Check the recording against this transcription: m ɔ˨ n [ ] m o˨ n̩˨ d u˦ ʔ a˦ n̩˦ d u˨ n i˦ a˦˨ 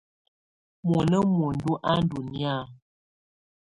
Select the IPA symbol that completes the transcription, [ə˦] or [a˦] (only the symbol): ə˦